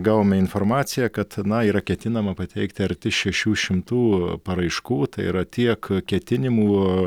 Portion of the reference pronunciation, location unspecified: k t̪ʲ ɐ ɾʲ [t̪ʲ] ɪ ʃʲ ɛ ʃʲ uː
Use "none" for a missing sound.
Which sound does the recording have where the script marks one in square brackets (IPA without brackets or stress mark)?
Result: t̪ʲ